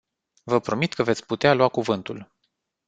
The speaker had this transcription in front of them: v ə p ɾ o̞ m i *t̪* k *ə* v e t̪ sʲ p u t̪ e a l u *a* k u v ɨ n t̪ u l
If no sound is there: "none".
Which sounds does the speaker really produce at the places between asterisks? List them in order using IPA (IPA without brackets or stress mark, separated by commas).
t̪, ə, a